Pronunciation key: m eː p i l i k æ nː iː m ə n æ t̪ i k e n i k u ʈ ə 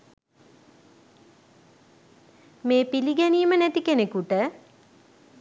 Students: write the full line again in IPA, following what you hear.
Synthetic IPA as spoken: m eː p i l i ɡ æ n iː m ə n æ t̪ i k e n e k u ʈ ə